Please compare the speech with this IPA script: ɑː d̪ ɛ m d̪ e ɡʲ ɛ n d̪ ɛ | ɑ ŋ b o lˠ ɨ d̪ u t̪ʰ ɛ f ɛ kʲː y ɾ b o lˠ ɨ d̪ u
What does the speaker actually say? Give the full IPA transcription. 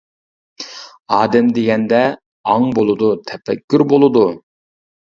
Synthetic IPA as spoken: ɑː d̪ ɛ m d̪ e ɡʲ ɛ n d̪ ɛ | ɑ ŋ b o lˠ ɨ d̪ u t̪ʰ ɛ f ɛ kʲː y ɾ b o lˠ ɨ d̪ u